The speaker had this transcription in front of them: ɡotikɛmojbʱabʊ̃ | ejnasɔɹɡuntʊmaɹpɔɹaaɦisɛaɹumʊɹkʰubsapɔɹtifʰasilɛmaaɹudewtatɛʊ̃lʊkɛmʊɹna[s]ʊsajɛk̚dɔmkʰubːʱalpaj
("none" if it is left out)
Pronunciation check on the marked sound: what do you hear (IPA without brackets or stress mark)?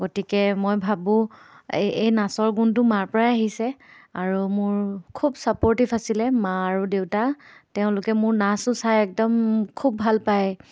s